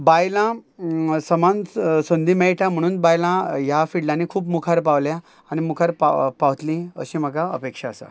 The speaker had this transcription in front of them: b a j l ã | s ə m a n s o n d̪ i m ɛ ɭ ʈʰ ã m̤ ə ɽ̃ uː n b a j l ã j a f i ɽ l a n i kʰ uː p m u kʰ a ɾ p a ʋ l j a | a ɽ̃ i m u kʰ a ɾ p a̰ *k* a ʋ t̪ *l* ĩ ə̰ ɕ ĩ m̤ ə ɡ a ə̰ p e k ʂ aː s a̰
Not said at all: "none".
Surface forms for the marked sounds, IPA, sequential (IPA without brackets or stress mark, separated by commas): p, l